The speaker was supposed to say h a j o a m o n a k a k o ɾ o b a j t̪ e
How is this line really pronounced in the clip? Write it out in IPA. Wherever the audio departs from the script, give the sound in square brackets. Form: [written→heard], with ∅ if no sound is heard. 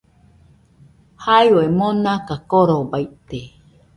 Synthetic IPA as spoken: h a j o [a→e] m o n a k a k o ɾ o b a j t̪ e